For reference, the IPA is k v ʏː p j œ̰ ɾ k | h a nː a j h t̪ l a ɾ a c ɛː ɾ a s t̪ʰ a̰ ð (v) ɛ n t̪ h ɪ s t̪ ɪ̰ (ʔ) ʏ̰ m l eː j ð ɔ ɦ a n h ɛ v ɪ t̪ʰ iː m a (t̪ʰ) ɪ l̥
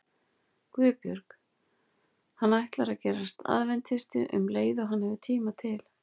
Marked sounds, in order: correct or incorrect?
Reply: correct, correct, correct

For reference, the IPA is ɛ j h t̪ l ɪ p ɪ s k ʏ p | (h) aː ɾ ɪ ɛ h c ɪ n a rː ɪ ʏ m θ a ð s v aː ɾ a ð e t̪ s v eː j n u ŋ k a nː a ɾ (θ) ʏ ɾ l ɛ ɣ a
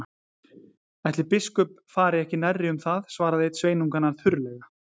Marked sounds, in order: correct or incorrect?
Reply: incorrect, correct

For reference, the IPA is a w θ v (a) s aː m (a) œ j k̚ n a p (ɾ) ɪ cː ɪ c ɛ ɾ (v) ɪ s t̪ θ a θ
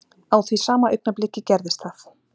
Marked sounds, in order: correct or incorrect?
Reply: incorrect, correct, incorrect, incorrect

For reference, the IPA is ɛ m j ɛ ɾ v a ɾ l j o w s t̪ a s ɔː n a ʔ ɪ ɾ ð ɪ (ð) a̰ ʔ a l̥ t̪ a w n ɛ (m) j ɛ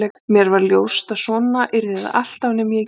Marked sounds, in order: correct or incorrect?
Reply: correct, correct

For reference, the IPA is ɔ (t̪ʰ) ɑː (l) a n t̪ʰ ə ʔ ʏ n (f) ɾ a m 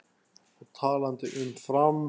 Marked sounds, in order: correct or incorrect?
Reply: correct, correct, correct

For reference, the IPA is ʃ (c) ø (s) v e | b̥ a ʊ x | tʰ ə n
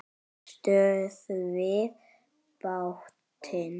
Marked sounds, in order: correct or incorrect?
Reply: incorrect, correct

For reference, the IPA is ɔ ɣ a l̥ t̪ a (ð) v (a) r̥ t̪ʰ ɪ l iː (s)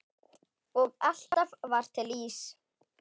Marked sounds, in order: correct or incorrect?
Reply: incorrect, correct, correct

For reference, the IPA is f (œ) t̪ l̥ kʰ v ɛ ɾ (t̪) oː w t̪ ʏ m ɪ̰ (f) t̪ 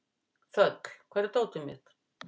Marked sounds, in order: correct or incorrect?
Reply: correct, correct, incorrect

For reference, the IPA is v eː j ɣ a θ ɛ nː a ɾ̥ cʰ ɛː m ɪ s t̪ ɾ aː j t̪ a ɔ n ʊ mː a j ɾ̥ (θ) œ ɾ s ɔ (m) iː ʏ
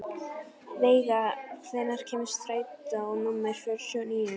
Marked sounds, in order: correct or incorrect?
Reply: incorrect, incorrect

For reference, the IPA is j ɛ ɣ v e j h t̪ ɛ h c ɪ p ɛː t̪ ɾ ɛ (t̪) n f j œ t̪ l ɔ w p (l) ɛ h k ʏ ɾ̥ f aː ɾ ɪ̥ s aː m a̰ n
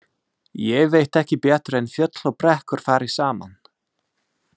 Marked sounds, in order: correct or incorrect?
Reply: incorrect, incorrect

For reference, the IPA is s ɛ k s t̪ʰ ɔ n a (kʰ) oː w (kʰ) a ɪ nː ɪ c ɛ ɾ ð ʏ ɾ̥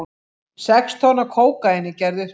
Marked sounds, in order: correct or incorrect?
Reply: correct, incorrect

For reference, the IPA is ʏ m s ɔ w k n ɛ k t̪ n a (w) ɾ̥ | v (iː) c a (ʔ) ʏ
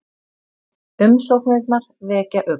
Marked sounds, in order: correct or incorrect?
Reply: incorrect, incorrect, correct

